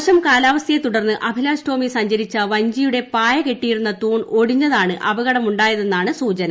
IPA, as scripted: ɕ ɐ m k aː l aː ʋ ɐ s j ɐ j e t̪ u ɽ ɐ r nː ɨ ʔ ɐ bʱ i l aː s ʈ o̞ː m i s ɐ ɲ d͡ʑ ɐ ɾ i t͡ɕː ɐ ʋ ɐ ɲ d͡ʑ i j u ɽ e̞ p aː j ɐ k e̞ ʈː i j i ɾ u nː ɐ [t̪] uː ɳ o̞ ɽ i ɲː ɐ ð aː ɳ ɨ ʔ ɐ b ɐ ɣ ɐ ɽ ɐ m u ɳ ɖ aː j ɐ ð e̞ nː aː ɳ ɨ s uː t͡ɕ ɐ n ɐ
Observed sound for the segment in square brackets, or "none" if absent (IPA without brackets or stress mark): t̪